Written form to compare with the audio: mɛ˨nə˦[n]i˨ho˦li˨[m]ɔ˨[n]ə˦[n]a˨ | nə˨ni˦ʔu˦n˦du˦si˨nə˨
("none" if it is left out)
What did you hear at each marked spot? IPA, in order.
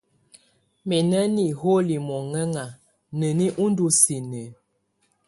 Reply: n, m, ŋ, ŋ

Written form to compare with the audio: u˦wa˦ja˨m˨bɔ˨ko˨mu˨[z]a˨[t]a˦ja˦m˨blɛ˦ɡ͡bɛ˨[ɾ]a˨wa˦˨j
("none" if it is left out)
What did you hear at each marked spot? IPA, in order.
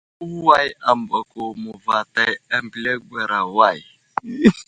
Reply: v, t, ɾ

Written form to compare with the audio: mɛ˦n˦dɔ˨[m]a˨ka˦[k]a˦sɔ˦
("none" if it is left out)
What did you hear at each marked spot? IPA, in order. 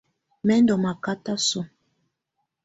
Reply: m, t

